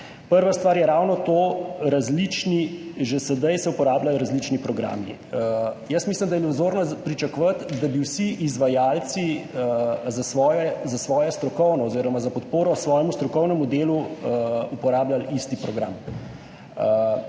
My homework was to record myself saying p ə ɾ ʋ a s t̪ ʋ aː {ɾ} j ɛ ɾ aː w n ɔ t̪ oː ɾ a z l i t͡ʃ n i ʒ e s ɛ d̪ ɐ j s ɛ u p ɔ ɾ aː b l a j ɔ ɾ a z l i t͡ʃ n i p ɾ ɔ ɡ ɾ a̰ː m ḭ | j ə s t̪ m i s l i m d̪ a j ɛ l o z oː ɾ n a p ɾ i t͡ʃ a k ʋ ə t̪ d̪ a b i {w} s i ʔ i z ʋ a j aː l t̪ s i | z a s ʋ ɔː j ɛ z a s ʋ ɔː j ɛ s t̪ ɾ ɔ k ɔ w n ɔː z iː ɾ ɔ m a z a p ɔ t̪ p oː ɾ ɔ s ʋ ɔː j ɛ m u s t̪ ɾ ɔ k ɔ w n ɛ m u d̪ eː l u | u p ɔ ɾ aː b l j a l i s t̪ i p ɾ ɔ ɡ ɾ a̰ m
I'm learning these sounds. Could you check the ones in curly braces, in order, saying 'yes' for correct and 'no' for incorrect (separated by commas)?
yes, yes